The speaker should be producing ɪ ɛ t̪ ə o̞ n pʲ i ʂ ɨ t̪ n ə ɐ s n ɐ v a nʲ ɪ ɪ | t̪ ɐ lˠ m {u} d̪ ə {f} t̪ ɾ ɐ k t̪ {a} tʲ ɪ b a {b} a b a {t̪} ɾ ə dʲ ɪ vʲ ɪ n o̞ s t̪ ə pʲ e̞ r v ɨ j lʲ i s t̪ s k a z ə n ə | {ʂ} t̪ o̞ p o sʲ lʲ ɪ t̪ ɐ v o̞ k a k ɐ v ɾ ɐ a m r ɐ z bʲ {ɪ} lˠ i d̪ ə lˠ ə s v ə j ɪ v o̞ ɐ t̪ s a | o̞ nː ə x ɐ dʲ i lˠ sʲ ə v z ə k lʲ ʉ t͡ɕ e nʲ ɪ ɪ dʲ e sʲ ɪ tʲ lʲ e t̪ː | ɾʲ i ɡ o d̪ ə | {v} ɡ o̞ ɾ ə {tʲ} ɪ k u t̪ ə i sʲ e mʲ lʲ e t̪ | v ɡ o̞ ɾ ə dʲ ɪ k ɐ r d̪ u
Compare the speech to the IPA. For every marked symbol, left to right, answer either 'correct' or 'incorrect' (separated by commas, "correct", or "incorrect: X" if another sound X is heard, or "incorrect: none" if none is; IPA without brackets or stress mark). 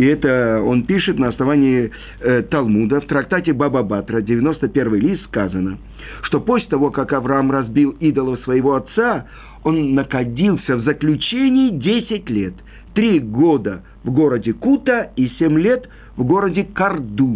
correct, correct, correct, correct, correct, correct, incorrect: i, correct, incorrect: dʲ